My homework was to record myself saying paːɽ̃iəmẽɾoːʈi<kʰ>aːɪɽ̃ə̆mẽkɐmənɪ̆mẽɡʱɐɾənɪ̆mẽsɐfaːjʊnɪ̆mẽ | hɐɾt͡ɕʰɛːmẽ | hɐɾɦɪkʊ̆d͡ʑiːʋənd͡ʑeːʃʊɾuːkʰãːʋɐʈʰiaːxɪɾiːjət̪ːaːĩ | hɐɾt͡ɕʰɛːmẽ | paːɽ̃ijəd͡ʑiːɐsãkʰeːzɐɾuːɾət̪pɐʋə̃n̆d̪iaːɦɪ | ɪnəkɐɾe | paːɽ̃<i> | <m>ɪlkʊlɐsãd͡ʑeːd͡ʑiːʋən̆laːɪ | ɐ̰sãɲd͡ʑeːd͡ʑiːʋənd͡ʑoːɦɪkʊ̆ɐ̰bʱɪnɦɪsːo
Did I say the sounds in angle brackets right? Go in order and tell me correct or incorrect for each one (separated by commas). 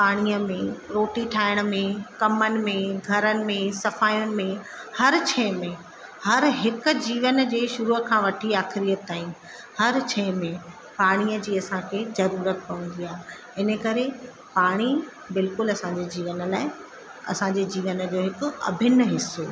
incorrect, correct, incorrect